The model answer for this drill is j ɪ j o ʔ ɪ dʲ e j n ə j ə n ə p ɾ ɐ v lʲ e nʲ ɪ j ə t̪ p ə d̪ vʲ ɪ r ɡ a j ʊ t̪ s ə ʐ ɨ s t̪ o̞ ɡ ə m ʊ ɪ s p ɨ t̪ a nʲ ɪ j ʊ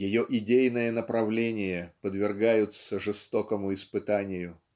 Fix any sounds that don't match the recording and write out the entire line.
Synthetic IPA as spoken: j ɪ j o ʔ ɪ dʲ e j n ə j ə n ə p ɾ ɐ v lʲ e nʲ ɪ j ə p ə d̪ vʲ ɪ r ɡ a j ʊ t̪ s ə ʐ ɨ s t̪ o̞ k ə m ʊ ɪ s p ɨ t̪ a nʲ ɪ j ʊ